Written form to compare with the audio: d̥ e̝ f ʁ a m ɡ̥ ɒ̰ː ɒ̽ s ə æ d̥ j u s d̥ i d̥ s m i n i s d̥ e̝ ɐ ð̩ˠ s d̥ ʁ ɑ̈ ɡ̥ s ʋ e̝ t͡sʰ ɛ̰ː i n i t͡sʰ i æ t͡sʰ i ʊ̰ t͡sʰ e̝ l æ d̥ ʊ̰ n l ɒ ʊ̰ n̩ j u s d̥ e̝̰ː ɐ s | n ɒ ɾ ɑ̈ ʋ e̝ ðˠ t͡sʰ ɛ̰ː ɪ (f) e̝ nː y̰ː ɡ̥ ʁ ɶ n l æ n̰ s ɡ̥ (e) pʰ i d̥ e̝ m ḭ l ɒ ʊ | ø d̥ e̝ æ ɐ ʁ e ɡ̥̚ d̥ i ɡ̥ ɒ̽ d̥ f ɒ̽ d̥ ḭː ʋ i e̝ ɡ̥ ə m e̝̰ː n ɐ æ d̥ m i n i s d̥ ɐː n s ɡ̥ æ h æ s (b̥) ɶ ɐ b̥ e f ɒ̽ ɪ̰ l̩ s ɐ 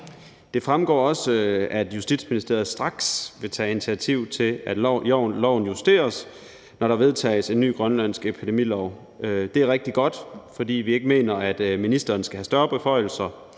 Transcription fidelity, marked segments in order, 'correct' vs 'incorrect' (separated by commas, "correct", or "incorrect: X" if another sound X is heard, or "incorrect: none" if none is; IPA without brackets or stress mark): incorrect: s, correct, incorrect: d̥